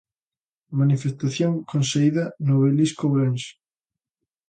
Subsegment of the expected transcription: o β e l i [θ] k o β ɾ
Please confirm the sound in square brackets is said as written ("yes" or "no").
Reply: no